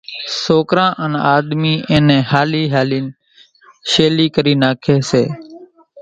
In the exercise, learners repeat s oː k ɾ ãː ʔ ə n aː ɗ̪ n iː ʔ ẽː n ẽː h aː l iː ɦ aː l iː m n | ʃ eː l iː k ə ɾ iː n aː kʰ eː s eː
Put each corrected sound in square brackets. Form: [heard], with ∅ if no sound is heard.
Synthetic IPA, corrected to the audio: s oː k ɾ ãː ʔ ə n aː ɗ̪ [m] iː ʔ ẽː n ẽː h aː l iː ɦ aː l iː [∅] n | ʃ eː l iː k ə ɾ iː n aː kʰ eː s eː